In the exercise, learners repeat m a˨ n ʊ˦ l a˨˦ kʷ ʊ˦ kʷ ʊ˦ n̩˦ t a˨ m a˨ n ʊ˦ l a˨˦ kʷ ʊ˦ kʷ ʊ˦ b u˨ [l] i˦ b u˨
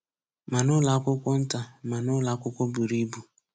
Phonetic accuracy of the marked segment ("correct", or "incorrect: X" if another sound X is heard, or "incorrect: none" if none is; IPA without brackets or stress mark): incorrect: ɾ